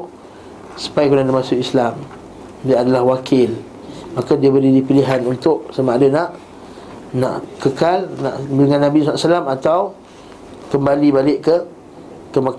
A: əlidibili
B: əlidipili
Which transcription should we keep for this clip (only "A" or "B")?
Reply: B